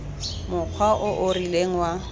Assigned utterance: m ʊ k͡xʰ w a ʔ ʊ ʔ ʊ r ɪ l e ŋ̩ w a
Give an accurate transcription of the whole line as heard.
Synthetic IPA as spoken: m ʊ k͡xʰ w a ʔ ʊ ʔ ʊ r i l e ŋ̩ w a